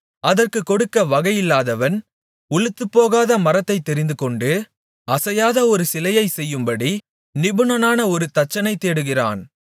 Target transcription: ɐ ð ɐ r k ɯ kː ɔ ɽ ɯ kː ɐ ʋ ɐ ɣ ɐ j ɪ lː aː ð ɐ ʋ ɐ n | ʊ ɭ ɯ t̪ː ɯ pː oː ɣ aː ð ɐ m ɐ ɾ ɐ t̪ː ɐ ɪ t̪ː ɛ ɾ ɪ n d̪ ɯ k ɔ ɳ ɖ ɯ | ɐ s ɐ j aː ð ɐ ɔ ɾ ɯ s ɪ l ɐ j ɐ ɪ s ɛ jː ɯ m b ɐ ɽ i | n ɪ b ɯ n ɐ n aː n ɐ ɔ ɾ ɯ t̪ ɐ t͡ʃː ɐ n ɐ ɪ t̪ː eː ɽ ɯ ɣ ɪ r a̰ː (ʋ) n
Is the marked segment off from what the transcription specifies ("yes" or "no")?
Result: yes